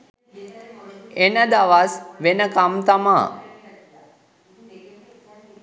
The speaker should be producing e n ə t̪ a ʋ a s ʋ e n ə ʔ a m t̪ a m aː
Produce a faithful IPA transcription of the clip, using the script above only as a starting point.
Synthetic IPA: e n ə d̪ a ʋ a s ʋ e n ə k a m t̪ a m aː